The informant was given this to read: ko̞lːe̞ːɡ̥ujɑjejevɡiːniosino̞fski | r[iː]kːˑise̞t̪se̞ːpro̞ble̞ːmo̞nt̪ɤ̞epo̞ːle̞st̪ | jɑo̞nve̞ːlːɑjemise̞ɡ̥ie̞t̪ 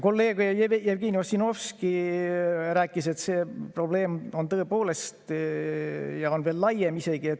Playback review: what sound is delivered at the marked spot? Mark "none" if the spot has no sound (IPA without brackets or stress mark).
æː